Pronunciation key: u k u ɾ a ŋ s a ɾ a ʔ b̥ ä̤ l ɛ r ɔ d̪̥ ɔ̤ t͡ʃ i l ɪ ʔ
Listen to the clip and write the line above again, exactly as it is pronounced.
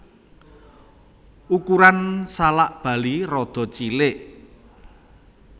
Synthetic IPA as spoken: u k u ɾ a n s a l a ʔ b̥ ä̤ l i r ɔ d̪̥ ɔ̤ t͡ʃ i l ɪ ʔ